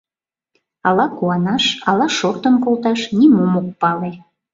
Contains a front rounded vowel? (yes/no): no